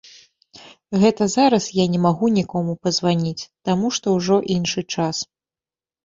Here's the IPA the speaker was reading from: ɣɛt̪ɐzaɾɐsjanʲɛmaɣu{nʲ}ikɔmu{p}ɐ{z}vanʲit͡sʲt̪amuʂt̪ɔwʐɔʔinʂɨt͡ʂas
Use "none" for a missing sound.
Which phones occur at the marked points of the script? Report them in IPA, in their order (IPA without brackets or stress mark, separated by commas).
nʲ, p, z